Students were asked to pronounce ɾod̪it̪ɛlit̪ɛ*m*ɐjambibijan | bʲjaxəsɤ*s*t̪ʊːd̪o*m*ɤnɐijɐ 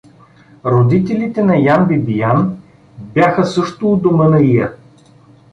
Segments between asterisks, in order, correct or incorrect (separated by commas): incorrect, incorrect, correct